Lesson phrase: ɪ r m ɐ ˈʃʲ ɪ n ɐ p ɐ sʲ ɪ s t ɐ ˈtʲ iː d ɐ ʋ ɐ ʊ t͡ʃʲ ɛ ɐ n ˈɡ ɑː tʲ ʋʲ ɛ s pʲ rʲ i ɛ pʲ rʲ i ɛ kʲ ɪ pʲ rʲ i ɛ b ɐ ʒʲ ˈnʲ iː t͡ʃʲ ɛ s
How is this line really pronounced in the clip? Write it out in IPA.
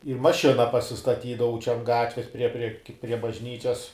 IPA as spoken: ɪ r m ɐ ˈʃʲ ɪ n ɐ p ɐ sʲ ɪ s t ɐ ˈtʲ iː d ɐ ʋ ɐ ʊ t͡ʃʲ ɛ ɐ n ˈɡ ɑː tʲ ʋʲ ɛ s pʲ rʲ i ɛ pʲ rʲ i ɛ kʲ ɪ pʲ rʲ i ɛ b ɐ ʒʲ ˈnʲ iː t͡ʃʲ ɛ s